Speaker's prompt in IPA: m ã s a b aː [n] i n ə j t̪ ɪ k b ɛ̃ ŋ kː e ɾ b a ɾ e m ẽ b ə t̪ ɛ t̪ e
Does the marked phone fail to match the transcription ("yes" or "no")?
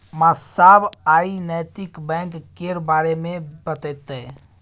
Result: yes